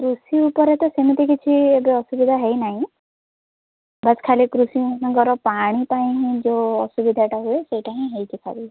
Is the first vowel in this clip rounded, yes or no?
yes